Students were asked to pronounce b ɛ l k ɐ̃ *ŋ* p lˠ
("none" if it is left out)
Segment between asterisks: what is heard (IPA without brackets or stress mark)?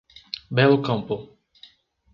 m